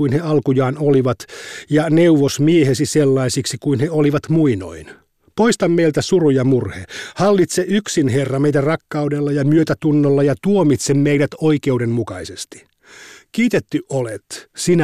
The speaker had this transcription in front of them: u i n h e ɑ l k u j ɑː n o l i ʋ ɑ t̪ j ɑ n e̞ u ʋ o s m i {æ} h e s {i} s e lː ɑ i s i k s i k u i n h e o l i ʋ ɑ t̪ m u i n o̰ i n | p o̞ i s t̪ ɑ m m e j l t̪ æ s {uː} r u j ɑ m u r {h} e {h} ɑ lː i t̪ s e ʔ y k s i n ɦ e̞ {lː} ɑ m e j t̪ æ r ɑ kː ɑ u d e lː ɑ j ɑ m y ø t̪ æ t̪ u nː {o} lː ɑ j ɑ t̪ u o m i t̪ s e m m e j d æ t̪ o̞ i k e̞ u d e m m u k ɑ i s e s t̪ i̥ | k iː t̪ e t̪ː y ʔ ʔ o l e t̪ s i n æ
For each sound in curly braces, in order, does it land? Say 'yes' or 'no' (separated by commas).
no, yes, no, yes, yes, no, yes